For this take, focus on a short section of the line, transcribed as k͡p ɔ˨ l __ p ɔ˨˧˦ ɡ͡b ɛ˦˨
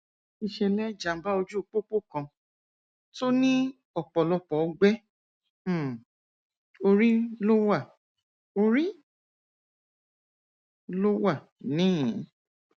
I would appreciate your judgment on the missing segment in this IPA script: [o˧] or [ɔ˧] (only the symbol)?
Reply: ɔ˧